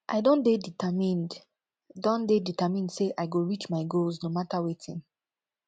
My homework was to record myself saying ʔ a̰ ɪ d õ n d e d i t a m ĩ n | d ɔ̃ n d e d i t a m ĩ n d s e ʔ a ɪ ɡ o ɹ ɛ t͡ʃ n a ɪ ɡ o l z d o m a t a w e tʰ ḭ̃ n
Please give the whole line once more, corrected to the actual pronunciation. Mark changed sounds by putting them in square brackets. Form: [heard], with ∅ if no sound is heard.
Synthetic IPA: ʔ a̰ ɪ d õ n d e d i t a m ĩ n | d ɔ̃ n d e d i t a m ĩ n d s e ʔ a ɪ ɡ o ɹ [i] t͡ʃ [m] a ɪ ɡ o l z [n] o m a t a w e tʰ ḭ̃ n

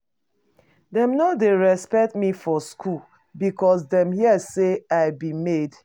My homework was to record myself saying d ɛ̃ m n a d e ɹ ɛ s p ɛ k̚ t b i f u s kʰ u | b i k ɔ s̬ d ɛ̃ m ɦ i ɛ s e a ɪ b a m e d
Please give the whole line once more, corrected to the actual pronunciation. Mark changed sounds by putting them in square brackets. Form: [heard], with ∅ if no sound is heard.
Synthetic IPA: d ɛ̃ m n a d e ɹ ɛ s p ɛ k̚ t [m] i f [ɔ] s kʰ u | b i k ɔ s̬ d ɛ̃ m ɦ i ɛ s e a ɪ b [i] m e d

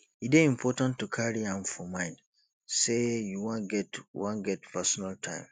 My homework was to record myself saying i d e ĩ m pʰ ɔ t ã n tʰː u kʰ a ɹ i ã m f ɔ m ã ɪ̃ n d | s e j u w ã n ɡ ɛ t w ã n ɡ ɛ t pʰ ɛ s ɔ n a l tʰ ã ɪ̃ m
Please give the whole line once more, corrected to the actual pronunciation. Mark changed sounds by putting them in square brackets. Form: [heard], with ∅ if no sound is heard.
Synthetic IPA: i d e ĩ m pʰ ɔ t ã n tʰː u kʰ a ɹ i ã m f ɔ m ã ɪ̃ n d | s e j u w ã n ɡ ɛ t w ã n ɡ ɛ t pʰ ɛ s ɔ n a l tʰ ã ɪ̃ m

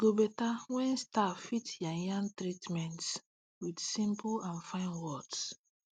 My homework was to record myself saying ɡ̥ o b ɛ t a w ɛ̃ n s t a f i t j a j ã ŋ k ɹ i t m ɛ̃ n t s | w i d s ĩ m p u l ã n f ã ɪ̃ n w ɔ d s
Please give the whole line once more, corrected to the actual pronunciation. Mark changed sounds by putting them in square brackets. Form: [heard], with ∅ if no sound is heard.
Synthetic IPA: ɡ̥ o b ɛ t a w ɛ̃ n s t a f i t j a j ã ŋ [t] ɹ i t m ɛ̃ n t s | w i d s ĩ m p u l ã n f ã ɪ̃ n w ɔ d s

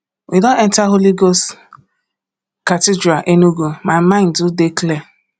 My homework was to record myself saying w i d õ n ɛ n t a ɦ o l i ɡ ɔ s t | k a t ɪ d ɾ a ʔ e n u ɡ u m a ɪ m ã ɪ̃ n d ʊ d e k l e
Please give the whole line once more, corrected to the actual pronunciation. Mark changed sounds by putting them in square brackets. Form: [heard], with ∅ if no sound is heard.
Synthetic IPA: w i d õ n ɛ n t a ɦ o l i ɡ [o] s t | k a t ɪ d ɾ a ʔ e n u ɡ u m a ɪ m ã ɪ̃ n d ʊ d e k l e

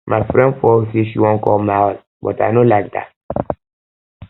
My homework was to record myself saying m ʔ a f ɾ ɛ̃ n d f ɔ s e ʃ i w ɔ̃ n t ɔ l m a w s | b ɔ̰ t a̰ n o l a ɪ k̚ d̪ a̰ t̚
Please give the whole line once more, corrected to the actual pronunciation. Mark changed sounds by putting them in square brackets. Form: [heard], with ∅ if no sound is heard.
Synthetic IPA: m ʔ a f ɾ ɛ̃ n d f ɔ s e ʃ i w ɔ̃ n [k] ɔ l m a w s | b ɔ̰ t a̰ n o l a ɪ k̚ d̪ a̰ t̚

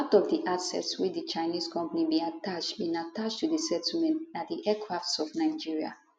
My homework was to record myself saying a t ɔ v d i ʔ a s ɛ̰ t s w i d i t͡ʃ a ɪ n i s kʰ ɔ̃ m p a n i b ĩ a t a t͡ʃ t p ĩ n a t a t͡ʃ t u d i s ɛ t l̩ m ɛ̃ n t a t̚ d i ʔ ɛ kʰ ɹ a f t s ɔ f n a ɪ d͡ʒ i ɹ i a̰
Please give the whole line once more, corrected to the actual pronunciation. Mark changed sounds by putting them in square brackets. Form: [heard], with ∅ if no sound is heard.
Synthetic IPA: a t ɔ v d i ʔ a s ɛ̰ t s w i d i t͡ʃ a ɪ n i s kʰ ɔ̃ m p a n i b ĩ a t a t͡ʃ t [b] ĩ n a t a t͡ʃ t u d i s ɛ t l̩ m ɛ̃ n t a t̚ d i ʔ ɛ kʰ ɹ a f t s ɔ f n a ɪ d͡ʒ i ɹ i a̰

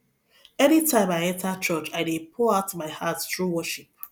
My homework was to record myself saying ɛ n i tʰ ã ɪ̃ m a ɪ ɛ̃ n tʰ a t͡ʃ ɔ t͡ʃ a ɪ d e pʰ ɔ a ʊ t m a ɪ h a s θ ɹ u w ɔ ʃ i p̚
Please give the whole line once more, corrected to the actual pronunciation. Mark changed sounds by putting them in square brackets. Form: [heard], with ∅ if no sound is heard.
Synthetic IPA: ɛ n i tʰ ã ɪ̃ m a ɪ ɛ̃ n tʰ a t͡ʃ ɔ t͡ʃ a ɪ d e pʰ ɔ a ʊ t m a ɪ h a [t] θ ɹ u w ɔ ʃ i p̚

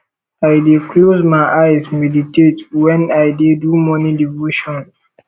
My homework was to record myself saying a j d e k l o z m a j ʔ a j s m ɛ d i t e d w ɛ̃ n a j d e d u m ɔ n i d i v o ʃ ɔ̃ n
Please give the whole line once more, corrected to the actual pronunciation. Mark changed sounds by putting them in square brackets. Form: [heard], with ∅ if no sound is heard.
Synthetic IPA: a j d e k l o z m a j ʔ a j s m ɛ d i t e [t] w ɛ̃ n a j d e d u m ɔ n i d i v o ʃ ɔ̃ n

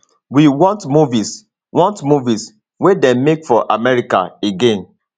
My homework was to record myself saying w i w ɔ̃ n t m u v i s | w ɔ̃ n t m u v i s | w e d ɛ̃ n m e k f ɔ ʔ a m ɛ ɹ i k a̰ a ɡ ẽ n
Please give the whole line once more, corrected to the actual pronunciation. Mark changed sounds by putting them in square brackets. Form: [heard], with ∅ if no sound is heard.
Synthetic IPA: w i w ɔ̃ n t m u v i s | w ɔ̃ n t m u v i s | w e d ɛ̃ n m e k f ɔ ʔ a m ɛ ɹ i k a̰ [e] ɡ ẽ n

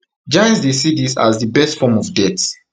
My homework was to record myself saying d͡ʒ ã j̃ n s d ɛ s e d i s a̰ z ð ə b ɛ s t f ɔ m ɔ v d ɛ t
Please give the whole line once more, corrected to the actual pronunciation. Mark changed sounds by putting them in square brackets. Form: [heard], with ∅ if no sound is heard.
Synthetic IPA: d͡ʒ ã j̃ n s d [e] s [i] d i s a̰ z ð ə b ɛ s t f ɔ m ɔ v d ɛ t

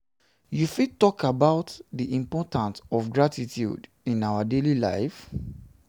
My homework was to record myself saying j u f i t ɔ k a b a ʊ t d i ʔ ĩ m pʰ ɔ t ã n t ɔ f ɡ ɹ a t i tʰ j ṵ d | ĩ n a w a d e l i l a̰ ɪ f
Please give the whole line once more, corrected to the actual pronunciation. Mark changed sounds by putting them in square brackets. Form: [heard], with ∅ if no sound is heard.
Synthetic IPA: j u f i t ɔ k a b a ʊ t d i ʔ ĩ m [p] ɔ t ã n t ɔ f ɡ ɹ a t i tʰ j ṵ d | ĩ n a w a d e l i l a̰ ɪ f

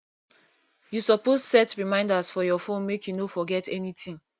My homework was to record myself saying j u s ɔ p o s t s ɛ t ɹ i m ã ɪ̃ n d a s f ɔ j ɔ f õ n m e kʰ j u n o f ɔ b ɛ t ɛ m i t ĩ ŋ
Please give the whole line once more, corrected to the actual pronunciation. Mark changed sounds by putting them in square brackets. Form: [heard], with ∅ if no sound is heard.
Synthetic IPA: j u s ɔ p o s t s ɛ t ɹ i m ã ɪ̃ n d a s f ɔ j ɔ f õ n m e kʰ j u n o f ɔ [ɡ] ɛ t ɛ [n] i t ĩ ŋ

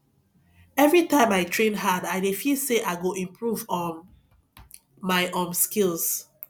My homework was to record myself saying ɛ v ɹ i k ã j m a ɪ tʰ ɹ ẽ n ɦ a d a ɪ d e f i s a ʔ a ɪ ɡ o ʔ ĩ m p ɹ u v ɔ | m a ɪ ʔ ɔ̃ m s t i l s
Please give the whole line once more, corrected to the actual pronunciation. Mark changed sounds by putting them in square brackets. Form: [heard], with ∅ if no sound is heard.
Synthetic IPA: ɛ v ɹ i [t] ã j m a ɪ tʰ ɹ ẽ n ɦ a d a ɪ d e f i s [e] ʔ a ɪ ɡ o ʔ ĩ m p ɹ u v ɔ | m a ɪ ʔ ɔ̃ m s [k] i l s

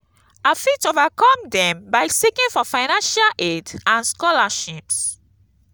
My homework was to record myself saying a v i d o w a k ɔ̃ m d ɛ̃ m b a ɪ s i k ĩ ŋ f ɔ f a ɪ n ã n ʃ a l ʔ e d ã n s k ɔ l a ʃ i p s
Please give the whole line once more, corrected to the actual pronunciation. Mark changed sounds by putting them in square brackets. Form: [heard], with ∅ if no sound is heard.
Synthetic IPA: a [f] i [t] o [v] a k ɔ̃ m d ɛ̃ m b a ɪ s i k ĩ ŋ f ɔ f a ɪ n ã n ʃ a l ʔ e d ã n s k ɔ l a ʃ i p s

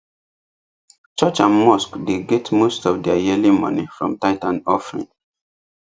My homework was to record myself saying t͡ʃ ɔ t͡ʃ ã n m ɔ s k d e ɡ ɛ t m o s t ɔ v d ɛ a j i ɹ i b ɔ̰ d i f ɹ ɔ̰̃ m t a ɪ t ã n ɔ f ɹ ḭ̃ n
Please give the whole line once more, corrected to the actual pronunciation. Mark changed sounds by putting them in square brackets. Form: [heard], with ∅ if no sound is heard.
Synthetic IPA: t͡ʃ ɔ t͡ʃ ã n m ɔ s k d e ɡ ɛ t m o s t ɔ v d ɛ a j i [l] i [m] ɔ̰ [n] i f ɹ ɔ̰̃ m t a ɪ t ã n ɔ f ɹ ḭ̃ n

